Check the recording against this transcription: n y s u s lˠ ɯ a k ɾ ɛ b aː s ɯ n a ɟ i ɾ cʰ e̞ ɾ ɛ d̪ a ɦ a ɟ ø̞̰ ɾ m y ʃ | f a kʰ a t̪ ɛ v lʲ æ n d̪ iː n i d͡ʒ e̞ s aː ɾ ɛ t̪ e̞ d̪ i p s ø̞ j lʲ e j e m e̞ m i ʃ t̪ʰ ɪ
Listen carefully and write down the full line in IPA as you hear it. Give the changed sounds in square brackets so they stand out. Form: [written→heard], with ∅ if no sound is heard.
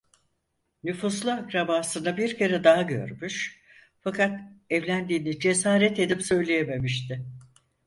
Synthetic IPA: n y [s→f] u s lˠ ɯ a k ɾ [ɛ→a] b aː s ɯ n a [ɟ→b] i ɾ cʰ e̞ ɾ ɛ d̪ a ɦ a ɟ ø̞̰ ɾ m y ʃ | f a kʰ a t̪ ɛ v lʲ æ n d̪ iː n i d͡ʒ e̞ s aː ɾ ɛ t̪ e̞ d̪ i p s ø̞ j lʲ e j e m e̞ m i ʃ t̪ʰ ɪ

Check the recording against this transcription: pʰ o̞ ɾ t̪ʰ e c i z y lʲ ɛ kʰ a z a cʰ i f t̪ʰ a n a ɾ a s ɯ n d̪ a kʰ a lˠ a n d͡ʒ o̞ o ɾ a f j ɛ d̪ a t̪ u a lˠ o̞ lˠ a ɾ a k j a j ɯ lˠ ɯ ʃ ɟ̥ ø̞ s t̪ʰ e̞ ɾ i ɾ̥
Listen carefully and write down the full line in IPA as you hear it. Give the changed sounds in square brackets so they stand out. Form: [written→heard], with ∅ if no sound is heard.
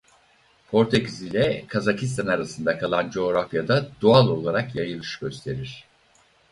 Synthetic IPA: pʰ o̞ ɾ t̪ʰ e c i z [y→i] lʲ ɛ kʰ a z a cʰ i [f→s] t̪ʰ a n a ɾ a s ɯ n d̪ a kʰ a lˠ a n d͡ʒ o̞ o ɾ a f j [ɛ→a] d̪ a [t̪→d̪] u a lˠ o̞ lˠ a ɾ a k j a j ɯ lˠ ɯ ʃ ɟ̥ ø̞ s t̪ʰ e̞ ɾ i ɾ̥

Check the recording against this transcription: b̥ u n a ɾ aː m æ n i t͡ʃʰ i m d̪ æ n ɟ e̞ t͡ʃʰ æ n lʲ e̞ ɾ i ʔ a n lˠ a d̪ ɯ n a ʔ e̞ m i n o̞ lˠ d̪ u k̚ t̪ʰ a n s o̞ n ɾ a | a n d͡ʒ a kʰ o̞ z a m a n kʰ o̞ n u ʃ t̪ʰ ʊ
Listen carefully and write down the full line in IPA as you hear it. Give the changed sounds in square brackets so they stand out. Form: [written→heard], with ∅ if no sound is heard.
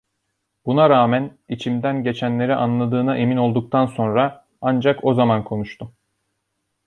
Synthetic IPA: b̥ u n a ɾ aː m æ n i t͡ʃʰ i m d̪ æ n ɟ e̞ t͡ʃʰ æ n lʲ e̞ ɾ i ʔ a n lˠ a d̪ [ɯ→ɯː] n a ʔ e̞ m i n o̞ lˠ d̪ u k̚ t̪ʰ a n s o̞ n ɾ a | a n d͡ʒ a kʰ o̞ z a m a n kʰ o̞ n u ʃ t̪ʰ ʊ

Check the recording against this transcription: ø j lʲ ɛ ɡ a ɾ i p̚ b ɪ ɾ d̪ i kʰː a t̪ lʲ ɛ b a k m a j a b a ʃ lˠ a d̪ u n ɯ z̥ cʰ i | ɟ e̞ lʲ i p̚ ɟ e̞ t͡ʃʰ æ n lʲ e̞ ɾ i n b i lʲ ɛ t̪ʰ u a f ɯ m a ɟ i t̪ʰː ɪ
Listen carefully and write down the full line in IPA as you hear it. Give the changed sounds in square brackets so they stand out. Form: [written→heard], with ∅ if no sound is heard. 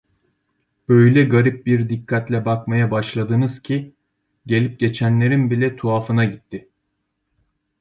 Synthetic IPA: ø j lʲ ɛ ɡ a ɾ i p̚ b [ɪ→i] ɾ d̪ i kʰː a t̪ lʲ ɛ b a k m a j a b a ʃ lˠ a d̪ [u→ɯ] n ɯ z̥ cʰ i | ɟ e̞ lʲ i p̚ ɟ e̞ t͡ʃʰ æ n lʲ e̞ ɾ i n b i lʲ ɛ t̪ʰ u a f ɯ [m→n] a ɟ i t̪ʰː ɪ

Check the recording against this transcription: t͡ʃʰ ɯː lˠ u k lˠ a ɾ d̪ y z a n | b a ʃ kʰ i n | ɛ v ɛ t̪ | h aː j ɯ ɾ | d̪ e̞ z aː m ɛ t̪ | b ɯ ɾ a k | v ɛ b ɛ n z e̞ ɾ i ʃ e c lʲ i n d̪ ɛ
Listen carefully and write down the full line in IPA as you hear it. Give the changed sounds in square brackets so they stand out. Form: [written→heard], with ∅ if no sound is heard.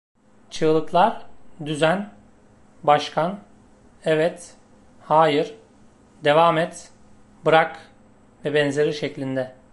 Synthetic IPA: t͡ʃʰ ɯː lˠ [u→ɯ] k lˠ a ɾ d̪ y z [a→æ] n | b a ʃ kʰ [i→a] n | ɛ v ɛ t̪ | h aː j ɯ ɾ | d̪ e̞ [z→v] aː m ɛ t̪ | b ɯ ɾ a k | v ɛ b ɛ n z e̞ ɾ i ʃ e c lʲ i n d̪ ɛ

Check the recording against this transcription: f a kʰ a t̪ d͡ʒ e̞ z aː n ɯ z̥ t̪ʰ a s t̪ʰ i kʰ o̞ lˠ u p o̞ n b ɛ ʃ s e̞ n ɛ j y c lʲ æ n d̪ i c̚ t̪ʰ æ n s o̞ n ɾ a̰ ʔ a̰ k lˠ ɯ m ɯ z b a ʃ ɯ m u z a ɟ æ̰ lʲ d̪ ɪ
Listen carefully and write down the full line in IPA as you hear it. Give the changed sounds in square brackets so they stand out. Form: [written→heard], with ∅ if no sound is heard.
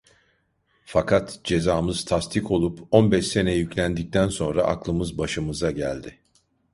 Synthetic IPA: f a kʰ a t̪ d͡ʒ e̞ z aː [n→m] ɯ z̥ t̪ʰ a s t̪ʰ i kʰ o̞ lˠ u p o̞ n b ɛ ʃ s e̞ n ɛ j y c lʲ æ n d̪ i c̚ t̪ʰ æ n s o̞ n ɾ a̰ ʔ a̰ k lˠ ɯ m ɯ z b a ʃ ɯ m [u→ɯ] z a ɟ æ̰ lʲ d̪ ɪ

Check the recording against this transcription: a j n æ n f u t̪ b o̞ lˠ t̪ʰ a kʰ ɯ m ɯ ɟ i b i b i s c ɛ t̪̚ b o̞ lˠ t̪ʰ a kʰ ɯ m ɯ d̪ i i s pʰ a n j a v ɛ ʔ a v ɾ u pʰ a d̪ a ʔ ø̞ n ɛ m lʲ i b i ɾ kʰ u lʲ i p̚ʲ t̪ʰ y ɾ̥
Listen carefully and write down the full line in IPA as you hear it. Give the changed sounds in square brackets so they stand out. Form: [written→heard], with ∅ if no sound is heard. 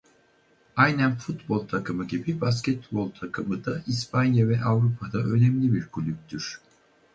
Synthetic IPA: a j n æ n f u t̪ b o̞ lˠ t̪ʰ a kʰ ɯ m ɯ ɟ i b i b [i→a] s c ɛ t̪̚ b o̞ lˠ t̪ʰ a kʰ ɯ m ɯ d̪ [i→a] i s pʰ a n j a v ɛ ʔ a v ɾ u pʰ a d̪ a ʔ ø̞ n ɛ m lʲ i b i ɾ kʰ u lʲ [i→y] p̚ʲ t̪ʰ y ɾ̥

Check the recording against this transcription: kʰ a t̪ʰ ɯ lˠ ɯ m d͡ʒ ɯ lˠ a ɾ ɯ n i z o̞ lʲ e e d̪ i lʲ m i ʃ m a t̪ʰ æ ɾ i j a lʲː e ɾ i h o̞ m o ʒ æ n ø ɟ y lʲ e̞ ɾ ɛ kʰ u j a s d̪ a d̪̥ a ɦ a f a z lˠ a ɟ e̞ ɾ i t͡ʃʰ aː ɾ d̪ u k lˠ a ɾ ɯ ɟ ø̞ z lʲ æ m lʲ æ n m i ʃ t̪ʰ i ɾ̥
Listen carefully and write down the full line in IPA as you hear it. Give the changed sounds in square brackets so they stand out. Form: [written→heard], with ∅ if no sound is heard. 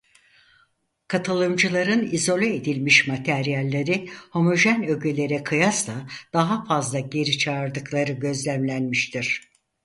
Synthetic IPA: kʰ a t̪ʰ ɯ lˠ ɯ m d͡ʒ ɯ lˠ a ɾ ɯ n i z o̞ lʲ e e d̪ i lʲ m i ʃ m a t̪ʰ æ ɾ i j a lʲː e ɾ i h o̞ m o ʒ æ n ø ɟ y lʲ e̞ ɾ ɛ kʰ [u→ɯ] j a s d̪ a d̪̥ a ɦ a f a z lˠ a ɟ e̞ ɾ i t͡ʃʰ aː ɾ d̪ [u→ɯ] k lˠ a ɾ ɯ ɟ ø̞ z lʲ æ m lʲ æ n m i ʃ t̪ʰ i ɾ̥

